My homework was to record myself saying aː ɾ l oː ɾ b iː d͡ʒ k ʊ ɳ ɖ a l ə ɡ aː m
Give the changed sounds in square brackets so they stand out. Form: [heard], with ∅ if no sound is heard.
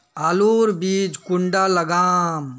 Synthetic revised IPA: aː [∅] l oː ɾ b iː d͡ʒ k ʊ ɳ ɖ a l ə ɡ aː m